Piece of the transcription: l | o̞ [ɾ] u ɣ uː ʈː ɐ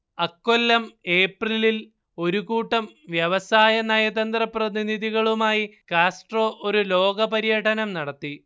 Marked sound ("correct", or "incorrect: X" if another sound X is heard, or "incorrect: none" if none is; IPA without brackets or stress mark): correct